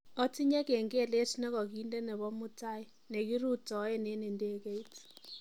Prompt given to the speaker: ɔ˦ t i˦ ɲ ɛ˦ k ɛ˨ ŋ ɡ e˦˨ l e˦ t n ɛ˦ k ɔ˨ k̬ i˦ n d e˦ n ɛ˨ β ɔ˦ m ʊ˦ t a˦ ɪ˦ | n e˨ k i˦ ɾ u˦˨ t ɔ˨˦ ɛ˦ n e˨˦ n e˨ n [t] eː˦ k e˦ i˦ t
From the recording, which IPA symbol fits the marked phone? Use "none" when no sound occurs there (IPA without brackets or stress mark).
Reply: d